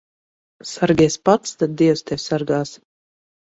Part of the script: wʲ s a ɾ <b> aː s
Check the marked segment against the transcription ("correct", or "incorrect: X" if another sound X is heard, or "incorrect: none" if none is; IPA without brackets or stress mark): incorrect: ɡ